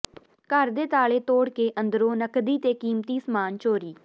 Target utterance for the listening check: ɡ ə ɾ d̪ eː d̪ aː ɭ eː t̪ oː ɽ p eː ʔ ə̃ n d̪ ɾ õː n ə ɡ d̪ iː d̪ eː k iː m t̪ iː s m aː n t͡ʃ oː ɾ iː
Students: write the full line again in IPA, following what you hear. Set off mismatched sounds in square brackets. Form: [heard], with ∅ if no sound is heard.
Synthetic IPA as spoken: [k] ə ɾ d̪ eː [t̪] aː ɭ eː t̪ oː ɽ [k] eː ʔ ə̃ n d̪ ɾ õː n ə [k] d̪ iː [t̪] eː k iː m t̪ iː s m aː n t͡ʃ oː ɾ iː